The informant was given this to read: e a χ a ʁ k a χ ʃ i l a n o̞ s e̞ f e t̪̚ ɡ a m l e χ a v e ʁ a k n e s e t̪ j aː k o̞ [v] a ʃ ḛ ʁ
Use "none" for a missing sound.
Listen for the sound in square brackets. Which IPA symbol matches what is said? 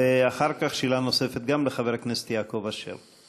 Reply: v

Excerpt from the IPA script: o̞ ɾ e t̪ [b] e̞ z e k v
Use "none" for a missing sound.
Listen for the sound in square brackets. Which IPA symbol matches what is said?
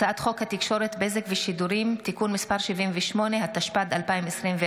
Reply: b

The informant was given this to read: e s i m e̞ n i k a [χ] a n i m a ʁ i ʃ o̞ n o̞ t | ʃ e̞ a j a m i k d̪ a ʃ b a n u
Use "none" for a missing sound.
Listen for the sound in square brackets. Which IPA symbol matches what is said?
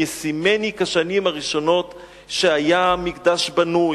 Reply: ʃ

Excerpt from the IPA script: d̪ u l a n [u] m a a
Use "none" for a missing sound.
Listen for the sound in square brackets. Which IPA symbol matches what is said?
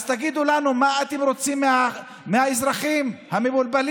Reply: u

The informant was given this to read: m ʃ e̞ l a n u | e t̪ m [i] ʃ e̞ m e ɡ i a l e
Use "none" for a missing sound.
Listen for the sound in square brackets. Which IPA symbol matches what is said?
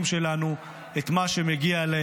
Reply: a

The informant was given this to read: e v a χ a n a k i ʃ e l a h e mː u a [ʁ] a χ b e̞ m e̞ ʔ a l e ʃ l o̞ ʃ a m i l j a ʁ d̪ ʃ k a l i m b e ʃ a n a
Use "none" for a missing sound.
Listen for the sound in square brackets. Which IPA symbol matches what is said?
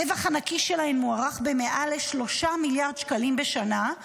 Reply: ʁ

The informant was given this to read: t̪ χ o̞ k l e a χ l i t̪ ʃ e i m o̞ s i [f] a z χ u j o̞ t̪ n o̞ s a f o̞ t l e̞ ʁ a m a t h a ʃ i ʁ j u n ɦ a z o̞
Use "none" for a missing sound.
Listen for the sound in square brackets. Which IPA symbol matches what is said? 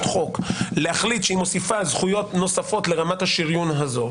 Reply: f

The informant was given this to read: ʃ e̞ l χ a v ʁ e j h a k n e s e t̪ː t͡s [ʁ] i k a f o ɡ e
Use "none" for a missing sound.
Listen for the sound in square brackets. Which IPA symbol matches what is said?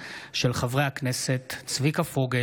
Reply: v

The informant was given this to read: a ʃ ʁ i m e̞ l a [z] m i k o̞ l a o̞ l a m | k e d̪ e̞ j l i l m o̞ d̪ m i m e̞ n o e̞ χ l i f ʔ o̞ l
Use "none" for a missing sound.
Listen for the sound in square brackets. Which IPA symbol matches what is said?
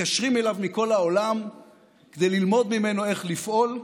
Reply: v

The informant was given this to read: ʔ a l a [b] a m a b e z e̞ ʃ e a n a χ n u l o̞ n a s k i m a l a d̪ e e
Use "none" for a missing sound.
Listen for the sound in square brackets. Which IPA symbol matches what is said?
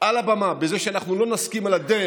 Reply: b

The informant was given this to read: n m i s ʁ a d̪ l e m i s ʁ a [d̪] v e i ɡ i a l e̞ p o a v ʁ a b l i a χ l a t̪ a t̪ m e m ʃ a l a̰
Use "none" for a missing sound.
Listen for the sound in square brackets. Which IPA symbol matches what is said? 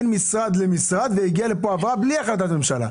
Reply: d̪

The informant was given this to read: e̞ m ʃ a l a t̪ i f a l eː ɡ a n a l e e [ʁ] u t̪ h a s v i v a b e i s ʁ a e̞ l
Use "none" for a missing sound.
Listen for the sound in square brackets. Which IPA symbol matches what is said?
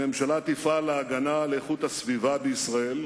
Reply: χ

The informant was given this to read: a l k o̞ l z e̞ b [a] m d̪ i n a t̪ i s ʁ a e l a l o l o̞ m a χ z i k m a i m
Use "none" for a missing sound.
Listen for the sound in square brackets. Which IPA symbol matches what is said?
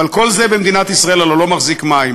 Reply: e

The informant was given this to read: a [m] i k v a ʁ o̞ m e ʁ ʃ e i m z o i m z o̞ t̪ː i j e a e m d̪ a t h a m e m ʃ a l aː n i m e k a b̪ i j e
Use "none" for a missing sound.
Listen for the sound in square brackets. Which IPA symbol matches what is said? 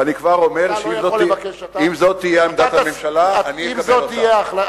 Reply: n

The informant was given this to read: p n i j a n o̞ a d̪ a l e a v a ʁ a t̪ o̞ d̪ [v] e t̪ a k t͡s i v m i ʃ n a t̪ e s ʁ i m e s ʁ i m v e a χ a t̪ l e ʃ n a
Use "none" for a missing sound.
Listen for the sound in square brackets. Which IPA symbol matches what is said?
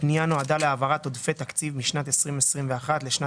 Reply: f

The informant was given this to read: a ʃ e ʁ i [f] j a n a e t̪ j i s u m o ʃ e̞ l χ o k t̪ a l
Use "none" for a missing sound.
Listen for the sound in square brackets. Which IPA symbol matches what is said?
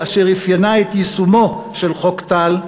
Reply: f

